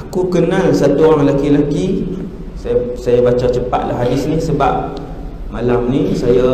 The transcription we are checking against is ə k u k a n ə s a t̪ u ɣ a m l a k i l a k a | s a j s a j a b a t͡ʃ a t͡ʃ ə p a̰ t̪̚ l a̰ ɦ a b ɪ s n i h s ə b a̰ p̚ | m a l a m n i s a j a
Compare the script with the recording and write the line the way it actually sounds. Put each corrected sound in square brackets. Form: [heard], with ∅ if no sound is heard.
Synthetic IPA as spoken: [a] k u k [ə] n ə s a t̪ u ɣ a [ŋ] l a k i l a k [i] | s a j s a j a b a t͡ʃ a t͡ʃ ə p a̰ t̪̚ l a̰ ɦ a [d] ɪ s n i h s ə b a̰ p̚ | m a l a m n i s a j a